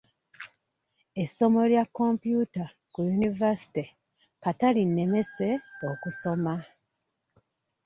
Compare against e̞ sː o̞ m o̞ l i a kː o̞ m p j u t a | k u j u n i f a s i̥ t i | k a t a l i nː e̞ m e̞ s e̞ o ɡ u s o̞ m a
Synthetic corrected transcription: e̞ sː o̞ m o̞ l j a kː o̞ m p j u t a | k u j u n i v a s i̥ t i | k a t a l i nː e̞ m e̞ s e̞ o k u s o̞ m a